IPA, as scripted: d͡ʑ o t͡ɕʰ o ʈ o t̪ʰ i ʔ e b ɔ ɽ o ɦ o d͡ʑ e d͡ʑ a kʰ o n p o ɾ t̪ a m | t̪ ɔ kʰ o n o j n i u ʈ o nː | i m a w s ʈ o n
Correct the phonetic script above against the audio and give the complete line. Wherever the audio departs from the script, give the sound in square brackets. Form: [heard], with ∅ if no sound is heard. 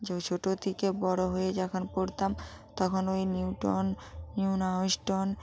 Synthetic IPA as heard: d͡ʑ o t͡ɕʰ o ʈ o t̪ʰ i [k] e b ɔ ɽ o ɦ o [∅] e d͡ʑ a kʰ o n p o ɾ t̪ a m | t̪ ɔ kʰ o n o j n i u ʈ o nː | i [n] a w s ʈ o n

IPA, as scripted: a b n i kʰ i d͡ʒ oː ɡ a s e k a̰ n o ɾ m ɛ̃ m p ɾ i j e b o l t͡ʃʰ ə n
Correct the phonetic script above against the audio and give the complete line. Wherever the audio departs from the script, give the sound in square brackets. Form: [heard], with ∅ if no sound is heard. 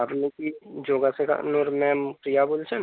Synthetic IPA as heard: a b n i [k] i d͡ʒ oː ɡ a s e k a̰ n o ɾ m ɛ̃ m p ɾ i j [a] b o l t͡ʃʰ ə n

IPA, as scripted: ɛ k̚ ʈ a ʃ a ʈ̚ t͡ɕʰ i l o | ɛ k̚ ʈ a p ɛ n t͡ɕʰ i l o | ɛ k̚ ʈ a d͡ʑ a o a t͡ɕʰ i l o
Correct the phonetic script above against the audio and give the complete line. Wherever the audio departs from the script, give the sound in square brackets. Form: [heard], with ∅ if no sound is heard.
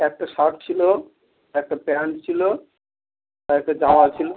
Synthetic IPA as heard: ɛ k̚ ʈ a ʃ a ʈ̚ t͡ɕʰ i l o | ɛ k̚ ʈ a p ɛ n t͡ɕʰ i l o | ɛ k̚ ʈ a d͡ʑ a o a t͡ɕʰ i l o

